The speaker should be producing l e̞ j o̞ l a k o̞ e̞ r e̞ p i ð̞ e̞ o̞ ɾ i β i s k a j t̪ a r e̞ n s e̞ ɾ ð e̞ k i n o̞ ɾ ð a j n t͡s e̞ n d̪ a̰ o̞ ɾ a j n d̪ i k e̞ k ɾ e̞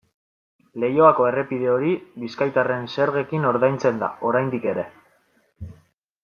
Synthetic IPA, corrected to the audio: l e̞ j o̞ a k o̞ e̞ r e̞ p i ð̞ e̞ o̞ ɾ i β i s k a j t̪ a r e̞ n s e̞ ɾ ɣ e̞ k i n o̞ ɾ ð a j n t͡s e̞ n d̪ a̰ o̞ ɾ a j n d̪ i k e̞ ɾ e̞